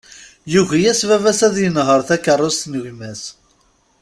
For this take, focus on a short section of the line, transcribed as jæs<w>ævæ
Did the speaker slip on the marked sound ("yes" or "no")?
yes